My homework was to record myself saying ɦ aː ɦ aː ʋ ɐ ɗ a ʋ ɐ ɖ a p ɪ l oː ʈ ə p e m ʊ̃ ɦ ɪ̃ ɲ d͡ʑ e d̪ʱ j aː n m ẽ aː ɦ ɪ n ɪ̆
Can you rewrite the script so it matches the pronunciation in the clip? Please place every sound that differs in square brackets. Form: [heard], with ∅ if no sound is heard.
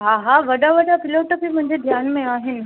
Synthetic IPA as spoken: ɦ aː ɦ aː ʋ ɐ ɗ a ʋ ɐ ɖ a p ɪ l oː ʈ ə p [i] m ʊ̃ ɦ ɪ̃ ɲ d͡ʑ e d̪ʱ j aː n m ẽ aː ɦ ɪ n ɪ̆